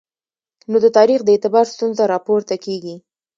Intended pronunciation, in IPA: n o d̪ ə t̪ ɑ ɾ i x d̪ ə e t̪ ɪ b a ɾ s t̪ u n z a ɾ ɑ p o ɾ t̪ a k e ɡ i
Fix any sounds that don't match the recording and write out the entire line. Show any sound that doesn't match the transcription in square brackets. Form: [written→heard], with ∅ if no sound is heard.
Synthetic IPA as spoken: n o d̪ ə t̪ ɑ ɾ i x d̪ ə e t̪ ɪ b [a→ɑ] ɾ s t̪ u n z a ɾ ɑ p o ɾ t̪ a k e ɡ i

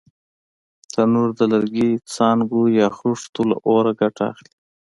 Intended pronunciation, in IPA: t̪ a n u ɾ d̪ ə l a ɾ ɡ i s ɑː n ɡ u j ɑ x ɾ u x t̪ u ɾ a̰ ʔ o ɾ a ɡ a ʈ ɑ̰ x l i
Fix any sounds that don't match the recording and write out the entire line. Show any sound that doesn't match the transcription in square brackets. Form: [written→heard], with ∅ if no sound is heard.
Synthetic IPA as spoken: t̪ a n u ɾ d̪ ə l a ɾ ɡ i [s→t͡s] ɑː n ɡ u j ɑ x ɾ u [x→ʂ] t̪ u [ɾ→l] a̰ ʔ o ɾ a ɡ a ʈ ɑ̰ x l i

